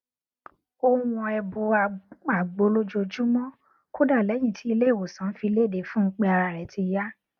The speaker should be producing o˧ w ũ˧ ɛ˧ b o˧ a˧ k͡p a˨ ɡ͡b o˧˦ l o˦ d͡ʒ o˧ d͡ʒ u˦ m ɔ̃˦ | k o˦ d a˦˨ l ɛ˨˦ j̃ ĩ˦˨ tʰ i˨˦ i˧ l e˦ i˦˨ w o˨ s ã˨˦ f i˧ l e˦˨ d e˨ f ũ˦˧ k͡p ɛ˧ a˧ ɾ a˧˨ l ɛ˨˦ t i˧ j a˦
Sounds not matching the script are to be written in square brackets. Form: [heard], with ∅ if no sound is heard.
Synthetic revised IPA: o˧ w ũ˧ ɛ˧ b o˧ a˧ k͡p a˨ ɡ͡b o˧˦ l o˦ d͡ʒ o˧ d͡ʒ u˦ m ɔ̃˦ | k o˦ d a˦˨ l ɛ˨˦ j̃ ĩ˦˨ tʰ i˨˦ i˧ l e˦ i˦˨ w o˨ s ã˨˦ f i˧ l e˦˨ d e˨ f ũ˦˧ k͡p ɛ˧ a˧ ɾ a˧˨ [ɾ] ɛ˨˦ t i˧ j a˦

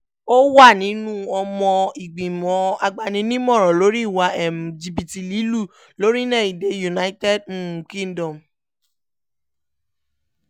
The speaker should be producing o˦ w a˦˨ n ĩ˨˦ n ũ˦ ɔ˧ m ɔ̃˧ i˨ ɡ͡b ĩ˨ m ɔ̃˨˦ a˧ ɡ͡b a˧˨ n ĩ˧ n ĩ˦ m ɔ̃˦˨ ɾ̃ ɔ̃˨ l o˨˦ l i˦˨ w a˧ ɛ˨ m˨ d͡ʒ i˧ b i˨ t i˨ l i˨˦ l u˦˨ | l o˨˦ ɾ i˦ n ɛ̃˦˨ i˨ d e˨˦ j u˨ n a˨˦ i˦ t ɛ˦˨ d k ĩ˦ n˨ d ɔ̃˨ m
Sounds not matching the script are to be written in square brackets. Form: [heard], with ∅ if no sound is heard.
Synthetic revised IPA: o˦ w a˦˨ n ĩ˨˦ n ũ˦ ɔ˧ m ɔ̃˧ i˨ ɡ͡b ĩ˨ m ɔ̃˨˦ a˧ ɡ͡b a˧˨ n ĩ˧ n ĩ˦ m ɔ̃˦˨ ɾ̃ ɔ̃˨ l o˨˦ [ɾ] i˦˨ w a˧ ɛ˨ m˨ d͡ʒ i˧ b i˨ t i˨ l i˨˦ l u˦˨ | l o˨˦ ɾ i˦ n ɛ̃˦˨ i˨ d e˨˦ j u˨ n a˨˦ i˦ t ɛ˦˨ d k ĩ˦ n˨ d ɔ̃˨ m

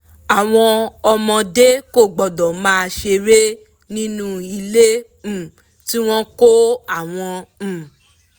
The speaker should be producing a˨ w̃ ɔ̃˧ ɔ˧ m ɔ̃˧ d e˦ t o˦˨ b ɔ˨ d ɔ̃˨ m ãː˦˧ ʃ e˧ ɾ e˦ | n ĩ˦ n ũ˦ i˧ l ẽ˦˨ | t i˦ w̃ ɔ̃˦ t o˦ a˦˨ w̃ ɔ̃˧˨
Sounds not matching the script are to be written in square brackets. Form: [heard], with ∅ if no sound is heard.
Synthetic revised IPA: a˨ w̃ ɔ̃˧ ɔ˧ m ɔ̃˧ d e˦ [k] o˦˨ [ɡ͡b] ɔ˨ d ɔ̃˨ m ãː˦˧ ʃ e˧ ɾ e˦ | n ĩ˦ n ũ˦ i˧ l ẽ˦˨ | t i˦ w̃ ɔ̃˦ [k] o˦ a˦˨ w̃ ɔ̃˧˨

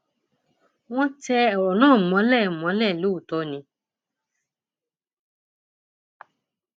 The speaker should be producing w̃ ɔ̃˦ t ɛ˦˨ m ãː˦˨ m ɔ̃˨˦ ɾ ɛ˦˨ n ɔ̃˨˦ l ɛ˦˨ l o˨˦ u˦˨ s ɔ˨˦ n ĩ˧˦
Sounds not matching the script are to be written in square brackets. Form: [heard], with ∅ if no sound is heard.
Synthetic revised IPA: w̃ ɔ̃˦ t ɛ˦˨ [n] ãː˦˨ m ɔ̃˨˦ [l] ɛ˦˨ [m] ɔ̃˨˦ l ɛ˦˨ l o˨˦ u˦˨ [t] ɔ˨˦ n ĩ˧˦

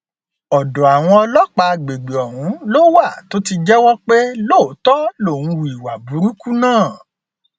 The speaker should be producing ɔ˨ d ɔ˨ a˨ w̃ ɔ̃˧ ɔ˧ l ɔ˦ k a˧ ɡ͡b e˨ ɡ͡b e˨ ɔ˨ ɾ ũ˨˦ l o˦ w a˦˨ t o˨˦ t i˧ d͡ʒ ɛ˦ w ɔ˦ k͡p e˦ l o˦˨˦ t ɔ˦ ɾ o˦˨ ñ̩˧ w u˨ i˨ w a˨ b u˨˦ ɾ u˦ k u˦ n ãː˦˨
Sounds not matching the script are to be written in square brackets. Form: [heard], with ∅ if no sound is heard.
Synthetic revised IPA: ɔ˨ d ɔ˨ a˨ w̃ ɔ̃˧ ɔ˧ l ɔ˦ [k͡p] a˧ ɡ͡b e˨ ɡ͡b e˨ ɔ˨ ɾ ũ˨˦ l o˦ w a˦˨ t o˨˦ t i˧ d͡ʒ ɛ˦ w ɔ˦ k͡p e˦ l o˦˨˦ t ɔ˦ [l] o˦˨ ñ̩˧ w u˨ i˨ w a˨ b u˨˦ ɾ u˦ k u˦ n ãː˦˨

